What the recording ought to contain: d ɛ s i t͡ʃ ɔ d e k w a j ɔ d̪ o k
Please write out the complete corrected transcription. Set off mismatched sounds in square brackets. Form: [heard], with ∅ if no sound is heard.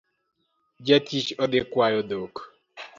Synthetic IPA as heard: [d͡ʒ] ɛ [t] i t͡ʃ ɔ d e k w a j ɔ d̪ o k